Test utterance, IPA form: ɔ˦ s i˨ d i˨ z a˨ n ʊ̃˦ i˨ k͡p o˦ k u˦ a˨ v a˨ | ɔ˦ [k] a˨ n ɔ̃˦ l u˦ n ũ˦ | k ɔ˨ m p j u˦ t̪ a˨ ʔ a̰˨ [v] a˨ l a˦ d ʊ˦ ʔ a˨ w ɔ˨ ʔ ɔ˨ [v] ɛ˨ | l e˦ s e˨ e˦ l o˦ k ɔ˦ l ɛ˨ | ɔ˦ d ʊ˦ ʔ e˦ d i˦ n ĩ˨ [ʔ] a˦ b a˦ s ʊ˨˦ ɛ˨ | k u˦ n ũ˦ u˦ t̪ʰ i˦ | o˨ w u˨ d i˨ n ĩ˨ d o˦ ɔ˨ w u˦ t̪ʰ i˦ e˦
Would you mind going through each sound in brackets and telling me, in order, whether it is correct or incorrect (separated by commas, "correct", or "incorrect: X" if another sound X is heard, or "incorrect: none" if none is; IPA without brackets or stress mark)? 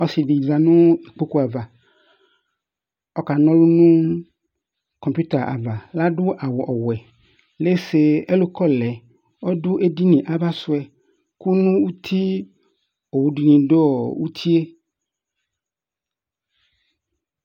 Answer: correct, correct, incorrect: w, correct